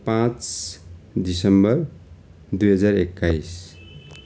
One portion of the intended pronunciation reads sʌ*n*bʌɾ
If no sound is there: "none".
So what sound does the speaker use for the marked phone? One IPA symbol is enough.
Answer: m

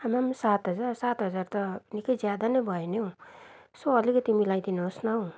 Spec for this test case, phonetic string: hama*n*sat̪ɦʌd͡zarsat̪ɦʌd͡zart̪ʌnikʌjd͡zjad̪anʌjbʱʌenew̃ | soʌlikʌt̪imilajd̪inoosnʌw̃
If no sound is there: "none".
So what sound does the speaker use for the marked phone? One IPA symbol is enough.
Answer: m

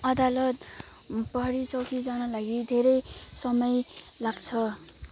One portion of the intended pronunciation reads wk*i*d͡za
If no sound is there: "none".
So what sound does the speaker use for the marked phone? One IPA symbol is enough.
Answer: i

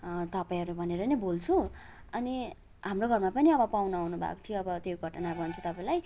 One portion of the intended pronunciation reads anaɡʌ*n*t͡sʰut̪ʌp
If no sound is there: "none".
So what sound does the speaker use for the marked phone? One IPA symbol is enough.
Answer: n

